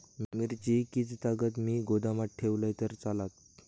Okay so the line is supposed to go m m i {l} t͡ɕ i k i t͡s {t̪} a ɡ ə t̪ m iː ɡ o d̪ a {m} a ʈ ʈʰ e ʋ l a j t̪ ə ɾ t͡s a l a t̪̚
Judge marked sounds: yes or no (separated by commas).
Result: no, yes, yes